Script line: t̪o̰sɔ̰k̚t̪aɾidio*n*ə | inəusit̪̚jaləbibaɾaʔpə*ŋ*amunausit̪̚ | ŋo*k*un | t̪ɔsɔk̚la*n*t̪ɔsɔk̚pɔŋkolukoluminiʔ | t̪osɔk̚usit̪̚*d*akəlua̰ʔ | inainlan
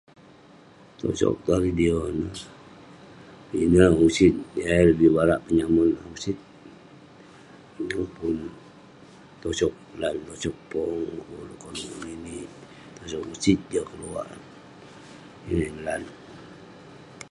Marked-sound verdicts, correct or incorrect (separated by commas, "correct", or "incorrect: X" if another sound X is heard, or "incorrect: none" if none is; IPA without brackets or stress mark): correct, incorrect: ɲ, incorrect: p, correct, incorrect: d͡ʒ